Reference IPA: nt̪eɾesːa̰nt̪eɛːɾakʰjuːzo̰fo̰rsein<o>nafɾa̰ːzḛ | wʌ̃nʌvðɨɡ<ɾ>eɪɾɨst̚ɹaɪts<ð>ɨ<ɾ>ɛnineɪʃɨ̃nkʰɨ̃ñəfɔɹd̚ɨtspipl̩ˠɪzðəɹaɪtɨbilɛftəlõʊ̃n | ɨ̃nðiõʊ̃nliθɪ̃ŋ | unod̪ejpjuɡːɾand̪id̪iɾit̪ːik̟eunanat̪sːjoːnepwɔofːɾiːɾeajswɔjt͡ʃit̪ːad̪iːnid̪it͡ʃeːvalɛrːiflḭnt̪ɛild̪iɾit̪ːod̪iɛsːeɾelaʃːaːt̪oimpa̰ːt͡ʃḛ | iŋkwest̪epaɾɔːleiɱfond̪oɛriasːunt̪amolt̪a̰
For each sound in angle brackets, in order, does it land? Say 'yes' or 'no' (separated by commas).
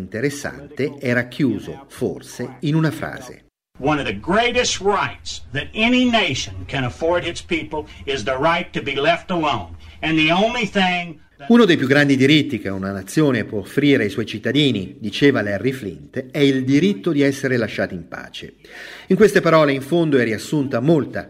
no, no, yes, yes